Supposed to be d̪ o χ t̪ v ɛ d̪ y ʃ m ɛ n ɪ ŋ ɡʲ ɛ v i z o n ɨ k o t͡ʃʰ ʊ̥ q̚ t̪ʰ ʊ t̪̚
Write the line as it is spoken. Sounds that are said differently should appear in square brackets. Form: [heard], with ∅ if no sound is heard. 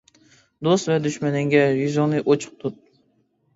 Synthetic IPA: d̪ o [s] t̪ v ɛ d̪ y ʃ m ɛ n ɪ ŋ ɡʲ ɛ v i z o n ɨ [ʔ] o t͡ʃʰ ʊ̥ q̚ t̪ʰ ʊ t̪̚